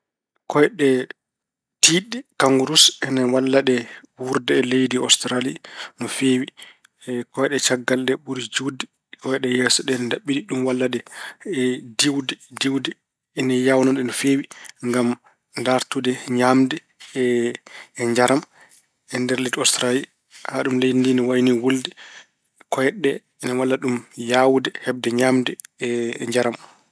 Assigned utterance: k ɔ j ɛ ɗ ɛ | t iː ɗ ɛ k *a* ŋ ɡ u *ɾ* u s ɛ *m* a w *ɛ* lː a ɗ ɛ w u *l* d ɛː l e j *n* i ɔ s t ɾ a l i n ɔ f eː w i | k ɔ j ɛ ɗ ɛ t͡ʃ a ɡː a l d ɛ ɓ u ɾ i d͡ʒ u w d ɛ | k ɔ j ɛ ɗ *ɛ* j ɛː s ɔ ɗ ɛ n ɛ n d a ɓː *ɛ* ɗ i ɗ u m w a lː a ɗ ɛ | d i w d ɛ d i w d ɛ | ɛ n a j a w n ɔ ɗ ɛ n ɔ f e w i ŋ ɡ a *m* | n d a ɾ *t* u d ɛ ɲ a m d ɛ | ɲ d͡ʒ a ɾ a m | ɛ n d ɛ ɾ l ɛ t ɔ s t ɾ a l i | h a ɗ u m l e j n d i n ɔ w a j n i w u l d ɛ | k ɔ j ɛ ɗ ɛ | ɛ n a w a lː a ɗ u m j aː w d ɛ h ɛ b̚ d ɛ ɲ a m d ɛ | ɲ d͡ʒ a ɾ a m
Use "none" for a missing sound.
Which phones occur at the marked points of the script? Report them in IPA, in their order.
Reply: a, ɾ, n, a, ɾ, d, ɛ, i, m, t

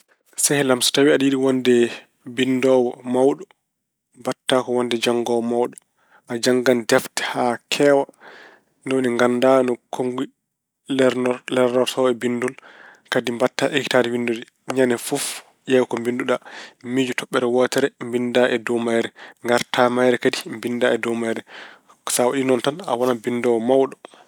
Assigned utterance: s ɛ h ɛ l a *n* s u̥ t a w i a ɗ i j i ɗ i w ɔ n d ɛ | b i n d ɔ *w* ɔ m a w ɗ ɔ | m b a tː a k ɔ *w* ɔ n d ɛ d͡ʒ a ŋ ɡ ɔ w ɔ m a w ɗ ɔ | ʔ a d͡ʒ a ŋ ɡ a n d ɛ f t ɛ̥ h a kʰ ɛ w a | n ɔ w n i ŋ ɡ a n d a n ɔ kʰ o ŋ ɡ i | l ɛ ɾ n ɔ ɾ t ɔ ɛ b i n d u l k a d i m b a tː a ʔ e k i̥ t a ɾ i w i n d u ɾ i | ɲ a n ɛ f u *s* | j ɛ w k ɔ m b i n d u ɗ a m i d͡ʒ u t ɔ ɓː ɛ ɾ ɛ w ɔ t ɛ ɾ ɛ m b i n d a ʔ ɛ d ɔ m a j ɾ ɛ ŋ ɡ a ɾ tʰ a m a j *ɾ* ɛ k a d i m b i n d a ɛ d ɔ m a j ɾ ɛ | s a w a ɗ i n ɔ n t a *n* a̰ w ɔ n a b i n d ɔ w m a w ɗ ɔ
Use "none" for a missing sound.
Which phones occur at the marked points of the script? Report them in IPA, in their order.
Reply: m, w, w, f, ɾ, n

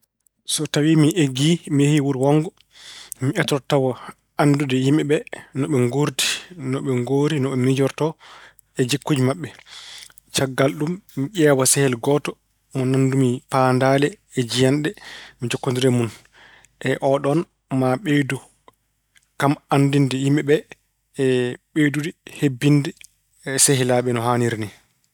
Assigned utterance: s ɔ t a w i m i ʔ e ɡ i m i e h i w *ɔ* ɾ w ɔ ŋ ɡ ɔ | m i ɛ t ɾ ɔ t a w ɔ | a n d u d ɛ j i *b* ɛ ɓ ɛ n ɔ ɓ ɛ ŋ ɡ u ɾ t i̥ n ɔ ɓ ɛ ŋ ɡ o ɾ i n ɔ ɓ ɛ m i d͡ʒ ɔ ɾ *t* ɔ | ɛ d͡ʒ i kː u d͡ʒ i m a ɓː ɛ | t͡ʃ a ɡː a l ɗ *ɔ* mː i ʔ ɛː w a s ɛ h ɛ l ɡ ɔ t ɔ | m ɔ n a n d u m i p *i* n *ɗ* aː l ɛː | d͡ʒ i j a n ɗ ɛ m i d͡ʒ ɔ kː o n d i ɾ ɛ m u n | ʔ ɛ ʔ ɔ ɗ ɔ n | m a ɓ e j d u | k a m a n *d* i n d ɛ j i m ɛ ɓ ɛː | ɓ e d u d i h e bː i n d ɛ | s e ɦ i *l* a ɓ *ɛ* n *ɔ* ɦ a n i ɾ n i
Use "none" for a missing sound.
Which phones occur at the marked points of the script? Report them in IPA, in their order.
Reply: u, m, t, u, a, d, d, l, ɛ, ɔ

